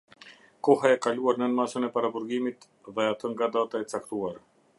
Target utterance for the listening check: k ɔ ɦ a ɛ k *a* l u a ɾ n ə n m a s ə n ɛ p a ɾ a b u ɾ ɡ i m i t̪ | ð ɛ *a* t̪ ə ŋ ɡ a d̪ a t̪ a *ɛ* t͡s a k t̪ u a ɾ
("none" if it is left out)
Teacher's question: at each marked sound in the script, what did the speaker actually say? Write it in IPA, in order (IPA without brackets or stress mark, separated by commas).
a, a, ɛ